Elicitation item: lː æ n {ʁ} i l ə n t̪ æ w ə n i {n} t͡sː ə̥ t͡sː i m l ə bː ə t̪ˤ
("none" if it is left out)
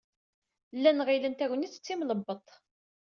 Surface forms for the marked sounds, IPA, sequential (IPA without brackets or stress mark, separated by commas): ʁ, none